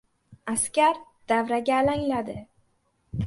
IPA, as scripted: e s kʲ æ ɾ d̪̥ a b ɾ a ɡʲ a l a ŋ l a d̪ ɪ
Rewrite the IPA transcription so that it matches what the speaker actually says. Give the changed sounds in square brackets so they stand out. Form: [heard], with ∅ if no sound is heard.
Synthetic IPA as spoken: [a] s kʲ [a] ɾ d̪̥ a [v] ɾ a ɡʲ a l a ŋ l a d̪ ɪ